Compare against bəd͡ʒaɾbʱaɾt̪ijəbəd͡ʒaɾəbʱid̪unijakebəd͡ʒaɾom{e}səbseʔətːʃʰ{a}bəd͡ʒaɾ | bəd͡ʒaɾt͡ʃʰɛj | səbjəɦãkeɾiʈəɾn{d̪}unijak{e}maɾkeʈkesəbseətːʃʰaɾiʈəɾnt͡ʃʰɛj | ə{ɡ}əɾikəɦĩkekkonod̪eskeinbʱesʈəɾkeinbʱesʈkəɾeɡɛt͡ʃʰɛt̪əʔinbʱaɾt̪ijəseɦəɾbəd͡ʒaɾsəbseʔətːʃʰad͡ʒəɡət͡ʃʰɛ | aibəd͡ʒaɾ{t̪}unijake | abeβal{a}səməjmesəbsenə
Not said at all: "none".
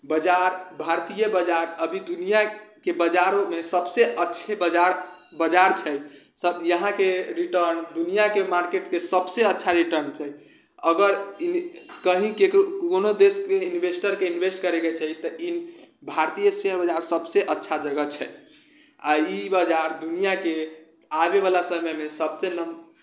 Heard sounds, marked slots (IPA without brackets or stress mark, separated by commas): e, e, d̪, e, ɡ, d̪, a